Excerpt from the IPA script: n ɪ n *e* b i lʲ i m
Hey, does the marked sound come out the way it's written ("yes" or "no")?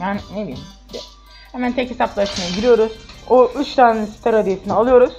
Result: yes